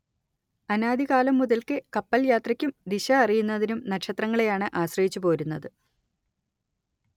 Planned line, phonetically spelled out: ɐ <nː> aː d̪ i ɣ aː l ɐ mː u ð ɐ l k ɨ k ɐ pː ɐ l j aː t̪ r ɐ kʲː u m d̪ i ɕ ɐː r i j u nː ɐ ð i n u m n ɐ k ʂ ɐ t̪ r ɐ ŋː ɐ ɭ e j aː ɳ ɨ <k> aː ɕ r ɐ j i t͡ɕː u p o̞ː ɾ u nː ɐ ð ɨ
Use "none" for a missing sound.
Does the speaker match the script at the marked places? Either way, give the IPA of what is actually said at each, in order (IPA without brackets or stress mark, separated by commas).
n, ʔ